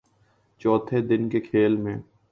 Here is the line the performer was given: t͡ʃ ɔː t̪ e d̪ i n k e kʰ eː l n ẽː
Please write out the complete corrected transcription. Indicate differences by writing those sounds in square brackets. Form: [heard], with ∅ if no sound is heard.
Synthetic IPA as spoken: t͡ʃ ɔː [t̪ʰ] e d̪ [ɪ] n k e kʰ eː l [m] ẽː

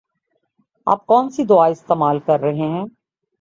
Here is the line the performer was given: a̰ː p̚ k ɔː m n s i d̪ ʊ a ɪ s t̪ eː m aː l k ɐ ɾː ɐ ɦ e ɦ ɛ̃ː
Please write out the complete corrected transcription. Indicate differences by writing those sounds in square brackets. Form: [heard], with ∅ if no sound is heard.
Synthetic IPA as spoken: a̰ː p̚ k ɔː [∅] n s i d̪ ʊ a ɪ s t̪ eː m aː l k ɐ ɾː ɐ ɦ e ɦ ɛ̃ː

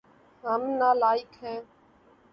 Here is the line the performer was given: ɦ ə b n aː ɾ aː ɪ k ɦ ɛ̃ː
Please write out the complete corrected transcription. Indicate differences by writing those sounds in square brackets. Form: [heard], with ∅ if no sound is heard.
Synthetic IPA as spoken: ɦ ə [m] n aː [l] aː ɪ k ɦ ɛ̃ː

